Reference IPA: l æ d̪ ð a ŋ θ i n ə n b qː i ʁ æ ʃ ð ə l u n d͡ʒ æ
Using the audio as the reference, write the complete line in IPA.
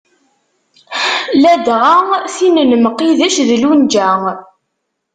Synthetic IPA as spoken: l æ d̪ ʁ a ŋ θ i n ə n m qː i ð æ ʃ ð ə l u n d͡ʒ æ